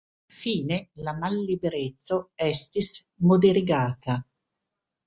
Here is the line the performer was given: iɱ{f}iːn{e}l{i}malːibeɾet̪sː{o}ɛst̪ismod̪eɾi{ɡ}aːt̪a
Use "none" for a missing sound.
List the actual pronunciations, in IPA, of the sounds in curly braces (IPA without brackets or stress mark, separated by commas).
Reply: f, e, a, o, ɡ